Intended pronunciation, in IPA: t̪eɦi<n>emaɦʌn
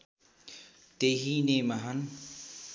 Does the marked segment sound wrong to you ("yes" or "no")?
no